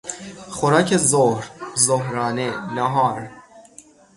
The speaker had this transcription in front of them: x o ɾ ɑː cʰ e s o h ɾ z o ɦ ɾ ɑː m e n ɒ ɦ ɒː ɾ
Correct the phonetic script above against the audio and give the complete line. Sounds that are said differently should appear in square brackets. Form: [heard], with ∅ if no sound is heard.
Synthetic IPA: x o ɾ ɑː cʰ e [z] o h ɾ z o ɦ ɾ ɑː [n] e n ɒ ɦ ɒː ɾ